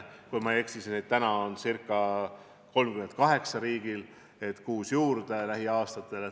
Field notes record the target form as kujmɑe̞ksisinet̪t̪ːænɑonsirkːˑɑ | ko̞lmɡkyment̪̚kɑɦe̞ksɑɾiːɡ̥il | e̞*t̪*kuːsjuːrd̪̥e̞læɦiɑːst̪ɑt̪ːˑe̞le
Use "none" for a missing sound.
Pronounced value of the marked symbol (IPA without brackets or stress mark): t̪